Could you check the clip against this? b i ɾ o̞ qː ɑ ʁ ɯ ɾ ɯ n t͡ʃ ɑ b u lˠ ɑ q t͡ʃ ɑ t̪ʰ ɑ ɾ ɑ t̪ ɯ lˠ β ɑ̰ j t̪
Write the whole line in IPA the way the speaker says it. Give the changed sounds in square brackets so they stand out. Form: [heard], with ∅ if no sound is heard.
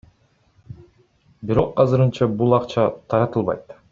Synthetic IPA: b i ɾ o̞ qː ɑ [z] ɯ ɾ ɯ n t͡ʃ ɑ b u lˠ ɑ q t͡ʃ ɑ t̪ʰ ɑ ɾ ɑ t̪ ɯ lˠ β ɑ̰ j t̪